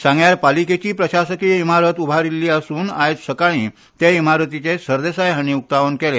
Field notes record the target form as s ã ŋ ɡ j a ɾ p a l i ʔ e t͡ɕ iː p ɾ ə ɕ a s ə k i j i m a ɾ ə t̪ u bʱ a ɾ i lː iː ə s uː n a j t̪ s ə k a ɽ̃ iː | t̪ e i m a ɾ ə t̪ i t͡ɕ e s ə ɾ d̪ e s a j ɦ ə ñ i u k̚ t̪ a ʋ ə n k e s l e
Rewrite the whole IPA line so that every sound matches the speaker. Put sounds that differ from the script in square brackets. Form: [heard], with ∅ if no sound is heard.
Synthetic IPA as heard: s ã ŋ ɡ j a ɾ p a l i [k] e t͡ɕ iː p ɾ ə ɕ a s ə k i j i m a ɾ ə t̪ u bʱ a ɾ i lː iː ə s uː n a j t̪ s ə k a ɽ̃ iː | t̪ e i m a ɾ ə t̪ i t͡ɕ e s ə ɾ d̪ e s a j ɦ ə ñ i u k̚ t̪ a ʋ ə n k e [∅] l e

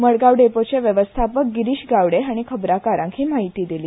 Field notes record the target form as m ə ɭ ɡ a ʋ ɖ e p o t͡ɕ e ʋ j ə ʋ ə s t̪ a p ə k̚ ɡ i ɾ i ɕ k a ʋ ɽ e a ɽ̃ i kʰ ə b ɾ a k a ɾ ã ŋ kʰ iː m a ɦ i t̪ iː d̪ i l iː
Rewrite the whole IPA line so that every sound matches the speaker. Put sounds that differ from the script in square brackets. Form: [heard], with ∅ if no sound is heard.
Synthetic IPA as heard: m ə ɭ ɡ a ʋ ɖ e p o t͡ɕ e ʋ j ə ʋ ə s [t̪ʰ] a p ə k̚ ɡ i ɾ i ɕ [ɡ] a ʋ ɽ e a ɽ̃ i kʰ ə b ɾ a k a ɾ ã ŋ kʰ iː m a ɦ i t̪ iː d̪ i l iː

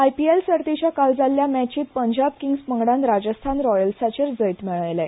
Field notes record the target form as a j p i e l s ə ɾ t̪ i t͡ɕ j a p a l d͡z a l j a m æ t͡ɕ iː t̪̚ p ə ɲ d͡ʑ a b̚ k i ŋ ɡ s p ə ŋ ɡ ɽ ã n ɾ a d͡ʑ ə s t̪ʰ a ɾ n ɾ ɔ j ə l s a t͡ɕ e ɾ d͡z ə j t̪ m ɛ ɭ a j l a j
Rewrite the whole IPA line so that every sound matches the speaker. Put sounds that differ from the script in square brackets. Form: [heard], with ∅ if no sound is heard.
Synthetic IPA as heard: a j p i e l s ə ɾ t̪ i t͡ɕ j a [k] a l d͡z a l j a m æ t͡ɕ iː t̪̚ p ə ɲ d͡ʑ a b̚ k i ŋ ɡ s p ə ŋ ɡ ɽ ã n ɾ a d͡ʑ ə s t̪ʰ a [∅] n ɾ ɔ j ə l s a t͡ɕ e ɾ d͡z ə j t̪ m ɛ ɭ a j l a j

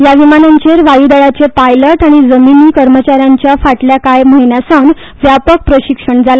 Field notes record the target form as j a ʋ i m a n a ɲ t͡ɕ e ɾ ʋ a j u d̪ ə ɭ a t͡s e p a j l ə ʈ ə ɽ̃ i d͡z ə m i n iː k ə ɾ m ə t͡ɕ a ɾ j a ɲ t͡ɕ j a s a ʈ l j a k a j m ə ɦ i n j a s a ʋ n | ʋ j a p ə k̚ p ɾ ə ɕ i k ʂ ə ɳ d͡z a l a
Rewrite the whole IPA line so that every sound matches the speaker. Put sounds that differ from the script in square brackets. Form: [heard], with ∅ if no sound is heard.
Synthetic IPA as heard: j a ʋ i m a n a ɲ t͡ɕ e ɾ ʋ a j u d̪ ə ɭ a t͡s e p a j l ə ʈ [a] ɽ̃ i d͡z ə m i n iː k ə ɾ m ə t͡ɕ a ɾ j a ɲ t͡ɕ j a [f] a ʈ l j a k a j m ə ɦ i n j a s a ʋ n | ʋ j a p ə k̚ p ɾ ə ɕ i k ʂ ə ɳ d͡z a l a

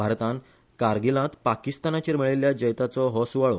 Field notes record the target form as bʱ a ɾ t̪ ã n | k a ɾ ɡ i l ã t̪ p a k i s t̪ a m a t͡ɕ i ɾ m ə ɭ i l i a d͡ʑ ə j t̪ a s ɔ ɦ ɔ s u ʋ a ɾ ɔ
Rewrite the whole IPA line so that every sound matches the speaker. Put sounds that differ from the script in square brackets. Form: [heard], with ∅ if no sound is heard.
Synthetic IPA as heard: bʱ a ɾ t̪ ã n | k a ɾ ɡ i l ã t̪ p a k i s t̪ a [n] a t͡ɕ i ɾ m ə ɭ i l [j] a d͡ʑ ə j t̪ a [t͡s] ɔ ɦ ɔ s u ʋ a [ɭ] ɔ

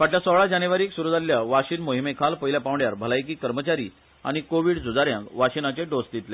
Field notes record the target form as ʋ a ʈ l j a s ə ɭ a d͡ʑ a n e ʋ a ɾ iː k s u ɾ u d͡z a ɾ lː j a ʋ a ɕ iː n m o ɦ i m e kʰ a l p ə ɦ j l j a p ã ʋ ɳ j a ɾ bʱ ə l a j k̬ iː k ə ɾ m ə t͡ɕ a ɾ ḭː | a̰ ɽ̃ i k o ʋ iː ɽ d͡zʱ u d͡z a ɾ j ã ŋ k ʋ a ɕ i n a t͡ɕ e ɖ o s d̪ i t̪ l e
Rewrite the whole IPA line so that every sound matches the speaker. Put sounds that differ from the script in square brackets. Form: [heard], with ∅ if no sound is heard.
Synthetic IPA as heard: ʋ a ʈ l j a s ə ɭ a d͡ʑ a n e ʋ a ɾ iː k s u ɾ u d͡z a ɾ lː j a ʋ a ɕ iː n m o ɦ i m e kʰ a l p ə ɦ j l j a p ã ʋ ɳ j a ɾ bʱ ə l a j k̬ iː k ə ɾ m ə t͡ɕ a ɾ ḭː | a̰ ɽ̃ i k o ʋ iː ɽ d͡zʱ u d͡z a ɾ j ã ŋ k ʋ a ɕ i n a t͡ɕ e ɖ o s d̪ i t̪ l e

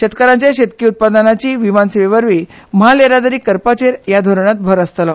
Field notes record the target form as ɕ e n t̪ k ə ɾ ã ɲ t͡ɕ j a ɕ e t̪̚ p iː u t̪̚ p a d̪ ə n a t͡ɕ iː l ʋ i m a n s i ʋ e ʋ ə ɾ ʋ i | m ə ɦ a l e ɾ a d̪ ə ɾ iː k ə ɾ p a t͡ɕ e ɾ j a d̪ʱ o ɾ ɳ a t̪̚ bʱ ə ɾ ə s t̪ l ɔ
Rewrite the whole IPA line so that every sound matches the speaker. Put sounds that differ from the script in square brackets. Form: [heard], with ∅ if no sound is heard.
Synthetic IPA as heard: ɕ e [∅] t̪ k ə ɾ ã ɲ t͡ɕ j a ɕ e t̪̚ [k] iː u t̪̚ p a d̪ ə n a t͡ɕ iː [∅] ʋ i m a n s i ʋ e ʋ ə ɾ ʋ i | m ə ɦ a l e ɾ a d̪ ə ɾ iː k ə ɾ p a t͡ɕ e ɾ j a d̪ʱ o ɾ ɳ a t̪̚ bʱ ə ɾ ə s t̪ l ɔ

